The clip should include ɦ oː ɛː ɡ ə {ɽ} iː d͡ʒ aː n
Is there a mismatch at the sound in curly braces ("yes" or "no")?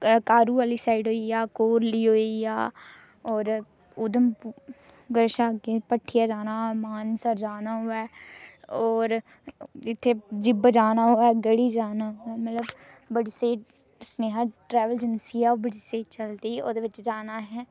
no